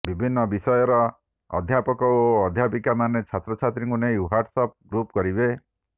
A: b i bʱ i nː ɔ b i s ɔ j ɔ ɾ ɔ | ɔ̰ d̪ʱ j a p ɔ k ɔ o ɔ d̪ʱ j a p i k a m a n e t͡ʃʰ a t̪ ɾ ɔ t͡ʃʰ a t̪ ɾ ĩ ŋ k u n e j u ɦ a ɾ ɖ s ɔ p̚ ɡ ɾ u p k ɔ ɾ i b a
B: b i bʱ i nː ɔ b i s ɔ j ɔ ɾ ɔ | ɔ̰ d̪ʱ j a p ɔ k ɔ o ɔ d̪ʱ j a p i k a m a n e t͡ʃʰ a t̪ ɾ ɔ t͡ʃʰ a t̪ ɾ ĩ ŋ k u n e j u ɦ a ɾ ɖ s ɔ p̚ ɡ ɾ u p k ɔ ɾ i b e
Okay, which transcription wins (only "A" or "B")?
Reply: B